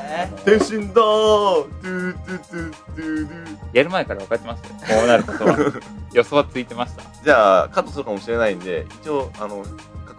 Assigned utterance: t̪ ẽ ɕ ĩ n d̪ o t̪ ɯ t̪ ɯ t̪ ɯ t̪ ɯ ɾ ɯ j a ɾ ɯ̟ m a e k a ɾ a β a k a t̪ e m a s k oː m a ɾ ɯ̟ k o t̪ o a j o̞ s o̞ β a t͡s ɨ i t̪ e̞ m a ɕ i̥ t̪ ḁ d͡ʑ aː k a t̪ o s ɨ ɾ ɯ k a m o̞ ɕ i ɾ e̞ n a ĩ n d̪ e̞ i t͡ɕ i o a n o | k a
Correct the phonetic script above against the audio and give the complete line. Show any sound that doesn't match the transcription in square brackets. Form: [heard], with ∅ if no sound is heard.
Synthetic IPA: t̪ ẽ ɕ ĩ n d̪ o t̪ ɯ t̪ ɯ t̪ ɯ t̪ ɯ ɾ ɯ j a ɾ ɯ̟ m a e k a ɾ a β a k a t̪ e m a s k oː [n] a ɾ ɯ̟ k o t̪ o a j o̞ s o̞ β a t͡s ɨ i t̪ e̞ m a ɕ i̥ t̪ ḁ d͡ʑ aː k a t̪ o s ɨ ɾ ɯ k a m o̞ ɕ i ɾ e̞ n a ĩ n d̪ e̞ i t͡ɕ i o a n o | k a